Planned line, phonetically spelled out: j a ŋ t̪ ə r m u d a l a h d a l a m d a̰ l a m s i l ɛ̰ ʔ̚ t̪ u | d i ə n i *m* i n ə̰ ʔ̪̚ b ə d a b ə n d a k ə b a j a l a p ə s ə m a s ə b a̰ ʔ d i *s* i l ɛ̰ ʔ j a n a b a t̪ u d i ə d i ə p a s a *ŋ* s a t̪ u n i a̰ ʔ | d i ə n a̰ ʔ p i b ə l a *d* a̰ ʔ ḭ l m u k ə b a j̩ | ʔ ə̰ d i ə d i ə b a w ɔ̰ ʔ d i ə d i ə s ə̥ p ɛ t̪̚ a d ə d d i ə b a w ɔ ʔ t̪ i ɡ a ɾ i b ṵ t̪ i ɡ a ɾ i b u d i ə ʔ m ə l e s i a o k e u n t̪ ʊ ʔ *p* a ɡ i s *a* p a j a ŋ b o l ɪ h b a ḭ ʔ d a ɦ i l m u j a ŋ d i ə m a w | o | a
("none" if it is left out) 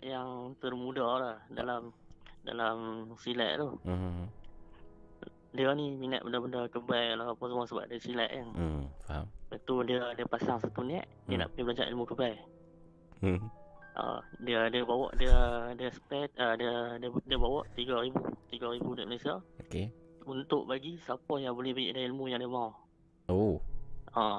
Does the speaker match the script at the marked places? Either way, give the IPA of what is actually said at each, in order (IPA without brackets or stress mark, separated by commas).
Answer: m, s, ŋ, d͡ʒ, b, a